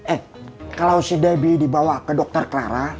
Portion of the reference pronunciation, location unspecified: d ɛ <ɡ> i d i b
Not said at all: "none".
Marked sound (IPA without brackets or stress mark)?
b